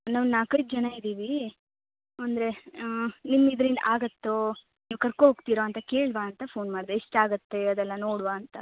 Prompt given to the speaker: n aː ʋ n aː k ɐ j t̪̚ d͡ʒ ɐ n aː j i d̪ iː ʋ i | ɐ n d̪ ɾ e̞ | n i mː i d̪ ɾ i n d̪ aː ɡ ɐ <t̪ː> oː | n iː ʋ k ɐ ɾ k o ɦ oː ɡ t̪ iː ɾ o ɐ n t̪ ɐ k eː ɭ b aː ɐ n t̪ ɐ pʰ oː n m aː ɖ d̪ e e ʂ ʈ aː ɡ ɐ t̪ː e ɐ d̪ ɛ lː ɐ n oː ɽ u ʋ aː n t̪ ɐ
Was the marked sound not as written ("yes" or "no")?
no